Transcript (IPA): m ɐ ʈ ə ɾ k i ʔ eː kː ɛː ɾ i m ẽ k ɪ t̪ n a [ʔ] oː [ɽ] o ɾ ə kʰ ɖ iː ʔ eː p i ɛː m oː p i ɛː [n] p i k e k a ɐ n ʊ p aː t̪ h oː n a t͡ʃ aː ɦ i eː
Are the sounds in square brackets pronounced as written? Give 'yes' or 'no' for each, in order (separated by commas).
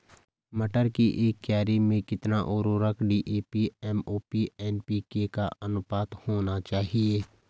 yes, no, yes